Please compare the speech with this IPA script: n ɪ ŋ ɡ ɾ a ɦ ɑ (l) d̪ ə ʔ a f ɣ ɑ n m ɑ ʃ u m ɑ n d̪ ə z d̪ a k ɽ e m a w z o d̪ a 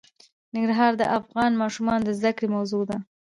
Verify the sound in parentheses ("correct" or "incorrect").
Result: incorrect